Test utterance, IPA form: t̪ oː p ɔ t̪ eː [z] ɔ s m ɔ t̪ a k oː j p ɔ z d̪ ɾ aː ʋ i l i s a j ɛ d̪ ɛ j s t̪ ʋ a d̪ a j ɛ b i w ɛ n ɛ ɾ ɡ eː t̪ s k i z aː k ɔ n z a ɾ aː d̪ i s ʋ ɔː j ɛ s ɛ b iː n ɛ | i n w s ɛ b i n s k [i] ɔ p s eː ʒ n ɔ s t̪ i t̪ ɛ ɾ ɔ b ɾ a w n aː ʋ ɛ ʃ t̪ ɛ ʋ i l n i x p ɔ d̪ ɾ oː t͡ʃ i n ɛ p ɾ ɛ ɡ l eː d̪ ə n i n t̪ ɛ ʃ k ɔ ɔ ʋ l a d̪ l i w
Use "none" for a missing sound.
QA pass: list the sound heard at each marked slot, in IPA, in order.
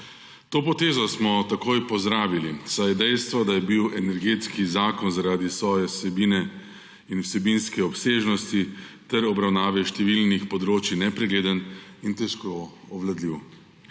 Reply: z, ɛ

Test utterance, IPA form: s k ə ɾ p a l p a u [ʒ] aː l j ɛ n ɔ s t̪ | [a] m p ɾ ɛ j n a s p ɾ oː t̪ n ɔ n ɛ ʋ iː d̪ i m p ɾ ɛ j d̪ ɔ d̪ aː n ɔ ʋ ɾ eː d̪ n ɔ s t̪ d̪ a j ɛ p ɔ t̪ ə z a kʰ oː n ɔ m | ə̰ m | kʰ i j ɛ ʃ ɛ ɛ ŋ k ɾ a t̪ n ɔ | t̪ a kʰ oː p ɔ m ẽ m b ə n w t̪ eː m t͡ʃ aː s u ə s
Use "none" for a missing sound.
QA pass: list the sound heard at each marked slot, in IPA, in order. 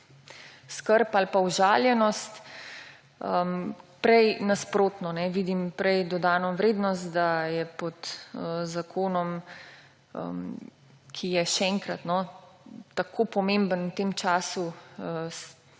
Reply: ʒ, ə

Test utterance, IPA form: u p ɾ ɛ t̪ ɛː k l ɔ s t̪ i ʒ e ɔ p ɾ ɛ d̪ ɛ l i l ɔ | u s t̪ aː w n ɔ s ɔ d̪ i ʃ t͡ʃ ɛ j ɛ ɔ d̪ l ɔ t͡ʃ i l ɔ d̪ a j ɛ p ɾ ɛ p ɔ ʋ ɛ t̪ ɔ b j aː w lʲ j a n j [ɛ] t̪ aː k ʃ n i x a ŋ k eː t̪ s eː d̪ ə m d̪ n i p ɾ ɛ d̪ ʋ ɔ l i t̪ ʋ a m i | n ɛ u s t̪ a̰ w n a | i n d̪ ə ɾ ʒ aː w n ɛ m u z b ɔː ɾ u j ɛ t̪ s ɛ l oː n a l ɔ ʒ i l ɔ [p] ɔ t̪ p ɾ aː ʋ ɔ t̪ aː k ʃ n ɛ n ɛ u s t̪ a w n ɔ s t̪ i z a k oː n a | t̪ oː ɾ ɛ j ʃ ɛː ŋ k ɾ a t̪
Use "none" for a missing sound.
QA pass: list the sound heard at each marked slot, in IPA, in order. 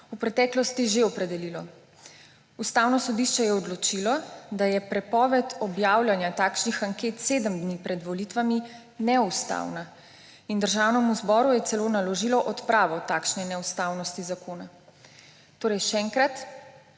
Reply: a, ʔ

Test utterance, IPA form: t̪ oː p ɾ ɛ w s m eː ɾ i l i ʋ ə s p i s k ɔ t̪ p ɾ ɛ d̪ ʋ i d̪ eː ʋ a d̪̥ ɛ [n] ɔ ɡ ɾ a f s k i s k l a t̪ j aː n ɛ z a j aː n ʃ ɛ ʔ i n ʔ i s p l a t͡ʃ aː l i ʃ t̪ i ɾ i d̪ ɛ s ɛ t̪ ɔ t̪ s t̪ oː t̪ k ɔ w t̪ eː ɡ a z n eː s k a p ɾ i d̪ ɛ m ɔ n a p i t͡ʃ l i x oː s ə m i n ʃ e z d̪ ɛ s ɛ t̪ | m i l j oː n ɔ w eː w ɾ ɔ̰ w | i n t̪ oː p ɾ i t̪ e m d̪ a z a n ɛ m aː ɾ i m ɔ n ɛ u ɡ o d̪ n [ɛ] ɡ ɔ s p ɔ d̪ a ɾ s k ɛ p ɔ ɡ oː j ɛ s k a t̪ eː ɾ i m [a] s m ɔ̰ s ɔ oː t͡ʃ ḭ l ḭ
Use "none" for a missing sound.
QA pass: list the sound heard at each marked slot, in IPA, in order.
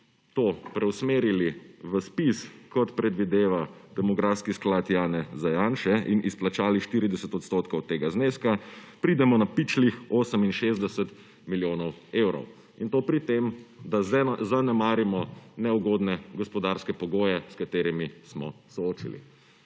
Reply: m, ɛ, i

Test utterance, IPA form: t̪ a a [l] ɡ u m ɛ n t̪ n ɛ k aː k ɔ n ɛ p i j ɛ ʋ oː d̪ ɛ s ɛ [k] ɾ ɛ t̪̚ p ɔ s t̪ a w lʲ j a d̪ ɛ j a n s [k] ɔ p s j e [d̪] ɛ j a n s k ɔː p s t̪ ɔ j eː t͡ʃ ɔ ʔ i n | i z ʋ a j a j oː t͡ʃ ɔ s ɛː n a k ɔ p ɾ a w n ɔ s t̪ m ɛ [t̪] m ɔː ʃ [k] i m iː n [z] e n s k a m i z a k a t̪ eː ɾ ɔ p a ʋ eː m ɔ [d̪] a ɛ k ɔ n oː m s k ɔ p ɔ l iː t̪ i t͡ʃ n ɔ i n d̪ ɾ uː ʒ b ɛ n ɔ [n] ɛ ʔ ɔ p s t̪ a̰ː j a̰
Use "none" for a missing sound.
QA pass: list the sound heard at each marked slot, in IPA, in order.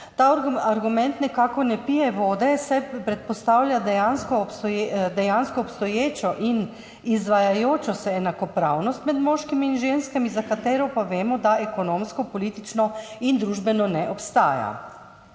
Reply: ɾ, p, k, d̪, d̪, k, ʒ, d̪, n

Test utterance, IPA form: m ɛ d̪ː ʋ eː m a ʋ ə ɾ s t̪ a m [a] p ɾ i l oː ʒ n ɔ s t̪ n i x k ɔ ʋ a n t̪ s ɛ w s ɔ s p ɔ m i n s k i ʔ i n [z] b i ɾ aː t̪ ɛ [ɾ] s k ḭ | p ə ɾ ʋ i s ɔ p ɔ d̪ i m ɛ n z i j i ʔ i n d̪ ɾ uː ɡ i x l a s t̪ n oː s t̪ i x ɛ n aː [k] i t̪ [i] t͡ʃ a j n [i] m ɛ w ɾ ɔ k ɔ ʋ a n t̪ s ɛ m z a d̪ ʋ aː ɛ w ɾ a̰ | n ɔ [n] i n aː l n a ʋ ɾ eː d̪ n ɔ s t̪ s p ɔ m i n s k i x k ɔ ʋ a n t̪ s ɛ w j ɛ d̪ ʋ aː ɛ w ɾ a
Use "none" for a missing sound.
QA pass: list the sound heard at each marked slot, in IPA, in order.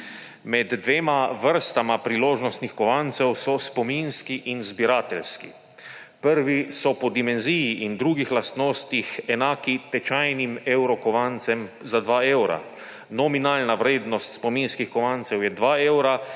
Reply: a, z, l, k, ɛ, i, m

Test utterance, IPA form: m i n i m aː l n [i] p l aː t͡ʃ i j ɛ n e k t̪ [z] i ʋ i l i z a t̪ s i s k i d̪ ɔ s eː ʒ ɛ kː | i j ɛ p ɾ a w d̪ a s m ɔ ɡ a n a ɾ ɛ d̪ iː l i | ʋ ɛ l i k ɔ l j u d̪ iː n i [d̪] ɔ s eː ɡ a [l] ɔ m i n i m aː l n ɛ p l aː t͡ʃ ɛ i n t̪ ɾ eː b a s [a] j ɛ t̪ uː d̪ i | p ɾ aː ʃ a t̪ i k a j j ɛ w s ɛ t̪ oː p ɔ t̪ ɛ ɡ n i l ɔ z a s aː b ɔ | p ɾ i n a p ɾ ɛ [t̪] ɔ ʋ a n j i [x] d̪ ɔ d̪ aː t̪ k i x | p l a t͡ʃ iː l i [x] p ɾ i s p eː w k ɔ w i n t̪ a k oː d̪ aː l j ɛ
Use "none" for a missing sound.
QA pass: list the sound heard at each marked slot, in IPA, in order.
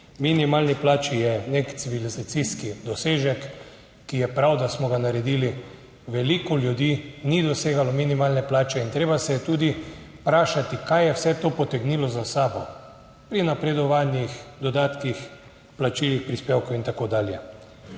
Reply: i, s, d̪, l, ɛ, d̪, x, x

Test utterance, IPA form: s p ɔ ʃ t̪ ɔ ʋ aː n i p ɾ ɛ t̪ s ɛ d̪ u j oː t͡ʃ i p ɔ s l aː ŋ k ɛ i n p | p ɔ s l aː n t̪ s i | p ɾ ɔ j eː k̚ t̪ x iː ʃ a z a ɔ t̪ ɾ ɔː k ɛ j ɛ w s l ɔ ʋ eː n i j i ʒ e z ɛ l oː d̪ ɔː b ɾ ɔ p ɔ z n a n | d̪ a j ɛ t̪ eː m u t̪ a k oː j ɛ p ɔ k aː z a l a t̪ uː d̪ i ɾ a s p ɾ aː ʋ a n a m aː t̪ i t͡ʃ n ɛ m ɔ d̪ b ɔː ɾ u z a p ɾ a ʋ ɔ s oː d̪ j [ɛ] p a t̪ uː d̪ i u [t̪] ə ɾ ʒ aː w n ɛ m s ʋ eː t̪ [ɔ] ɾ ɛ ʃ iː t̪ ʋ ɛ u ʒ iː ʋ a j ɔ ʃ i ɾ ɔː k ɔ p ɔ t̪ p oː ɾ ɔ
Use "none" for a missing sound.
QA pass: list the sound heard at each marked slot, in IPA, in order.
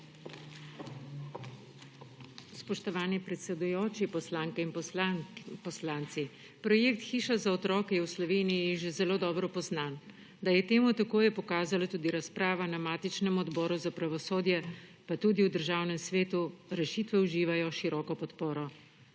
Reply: ɛ, d̪, u

